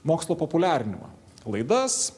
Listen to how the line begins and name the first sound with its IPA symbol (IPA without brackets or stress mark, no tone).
m